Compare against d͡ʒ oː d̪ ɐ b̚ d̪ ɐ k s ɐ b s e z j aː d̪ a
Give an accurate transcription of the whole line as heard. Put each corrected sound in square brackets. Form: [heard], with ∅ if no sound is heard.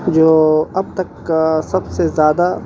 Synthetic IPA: d͡ʒ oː [∅] ɐ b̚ [t̪] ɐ k s ɐ b s e z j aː d̪ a